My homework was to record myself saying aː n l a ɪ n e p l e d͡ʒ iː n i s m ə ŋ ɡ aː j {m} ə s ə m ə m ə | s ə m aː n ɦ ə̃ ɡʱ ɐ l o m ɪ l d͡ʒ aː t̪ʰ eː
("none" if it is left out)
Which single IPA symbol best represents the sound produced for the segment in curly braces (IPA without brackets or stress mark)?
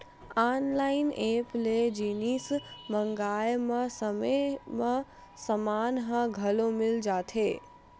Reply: m